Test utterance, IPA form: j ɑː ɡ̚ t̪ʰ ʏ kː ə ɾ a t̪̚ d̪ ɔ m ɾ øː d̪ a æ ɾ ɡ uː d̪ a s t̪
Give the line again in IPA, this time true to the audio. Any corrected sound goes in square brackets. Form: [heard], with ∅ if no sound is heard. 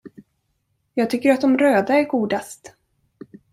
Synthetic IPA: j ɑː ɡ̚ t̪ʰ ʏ kː ə ɾ a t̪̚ d̪ ɔ m ɾ øː d̪ a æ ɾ ɡ uː d̪ a s t̪